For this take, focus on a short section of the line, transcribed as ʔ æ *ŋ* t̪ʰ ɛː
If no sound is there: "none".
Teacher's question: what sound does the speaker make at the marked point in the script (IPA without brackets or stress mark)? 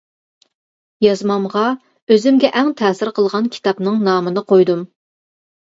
ŋ